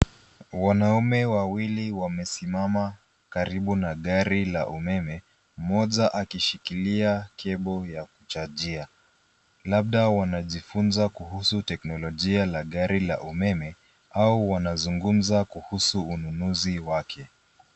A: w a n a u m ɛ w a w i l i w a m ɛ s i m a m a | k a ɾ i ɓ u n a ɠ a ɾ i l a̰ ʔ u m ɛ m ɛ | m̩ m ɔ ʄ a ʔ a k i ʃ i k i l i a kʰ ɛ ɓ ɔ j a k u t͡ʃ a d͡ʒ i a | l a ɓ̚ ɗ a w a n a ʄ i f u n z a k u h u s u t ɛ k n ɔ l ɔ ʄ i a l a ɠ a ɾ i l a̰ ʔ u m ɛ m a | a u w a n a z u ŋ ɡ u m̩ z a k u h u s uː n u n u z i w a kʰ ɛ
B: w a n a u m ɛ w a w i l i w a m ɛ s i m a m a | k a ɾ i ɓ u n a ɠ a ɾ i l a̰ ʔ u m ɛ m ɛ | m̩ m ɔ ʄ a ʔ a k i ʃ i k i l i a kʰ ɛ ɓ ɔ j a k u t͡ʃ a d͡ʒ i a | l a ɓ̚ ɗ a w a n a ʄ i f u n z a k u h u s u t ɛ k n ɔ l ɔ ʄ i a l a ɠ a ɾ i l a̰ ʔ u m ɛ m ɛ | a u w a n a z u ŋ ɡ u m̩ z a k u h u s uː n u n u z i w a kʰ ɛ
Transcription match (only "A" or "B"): B